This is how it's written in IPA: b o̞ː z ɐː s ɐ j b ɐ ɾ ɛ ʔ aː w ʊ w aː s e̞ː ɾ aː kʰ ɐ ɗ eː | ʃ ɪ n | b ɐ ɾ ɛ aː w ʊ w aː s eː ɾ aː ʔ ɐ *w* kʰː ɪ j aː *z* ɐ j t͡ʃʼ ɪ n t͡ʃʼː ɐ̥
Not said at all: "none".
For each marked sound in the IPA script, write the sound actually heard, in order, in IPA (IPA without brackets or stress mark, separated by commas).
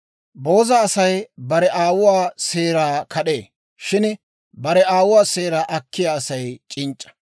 none, s